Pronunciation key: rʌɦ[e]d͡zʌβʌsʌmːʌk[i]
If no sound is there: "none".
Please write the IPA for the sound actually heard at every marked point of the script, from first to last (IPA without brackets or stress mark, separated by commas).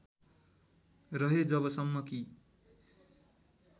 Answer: e, i